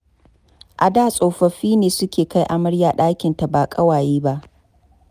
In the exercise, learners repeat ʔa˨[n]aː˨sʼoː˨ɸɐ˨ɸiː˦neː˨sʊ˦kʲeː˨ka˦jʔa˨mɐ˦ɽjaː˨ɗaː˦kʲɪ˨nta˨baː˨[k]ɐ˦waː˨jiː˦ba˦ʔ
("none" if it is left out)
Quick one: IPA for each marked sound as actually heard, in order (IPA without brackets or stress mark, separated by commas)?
d, kʼ